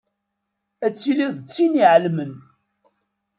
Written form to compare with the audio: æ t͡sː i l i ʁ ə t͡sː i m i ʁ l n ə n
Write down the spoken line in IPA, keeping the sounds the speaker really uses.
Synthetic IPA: æ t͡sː i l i ð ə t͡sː i n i ʕ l m ə n